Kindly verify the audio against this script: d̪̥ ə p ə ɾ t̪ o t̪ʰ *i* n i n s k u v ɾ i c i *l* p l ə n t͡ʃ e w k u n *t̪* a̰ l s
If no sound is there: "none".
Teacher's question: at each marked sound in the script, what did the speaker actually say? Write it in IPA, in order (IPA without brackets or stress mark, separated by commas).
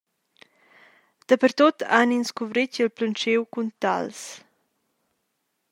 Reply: a, l, t̪